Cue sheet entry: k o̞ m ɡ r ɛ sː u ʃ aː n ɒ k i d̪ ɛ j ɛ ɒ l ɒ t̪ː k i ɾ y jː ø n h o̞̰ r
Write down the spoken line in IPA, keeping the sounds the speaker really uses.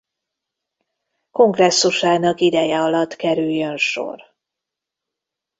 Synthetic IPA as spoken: k o̞ ŋ ɡ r ɛ sː u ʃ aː n ɒ k i d̪ ɛ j ɛ ɒ l ɒ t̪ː k ɛ ɾ y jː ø n ʃ o̞̰ r